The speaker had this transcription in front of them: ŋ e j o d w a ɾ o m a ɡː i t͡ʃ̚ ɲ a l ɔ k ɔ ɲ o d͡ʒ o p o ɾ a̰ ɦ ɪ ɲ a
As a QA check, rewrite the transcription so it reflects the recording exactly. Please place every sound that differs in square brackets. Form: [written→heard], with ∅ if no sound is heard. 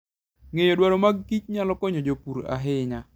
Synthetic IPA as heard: ŋ e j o d w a ɾ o m a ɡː i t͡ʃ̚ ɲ a l ɔ k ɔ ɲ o d͡ʒ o p [o→u] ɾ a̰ ɦ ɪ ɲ a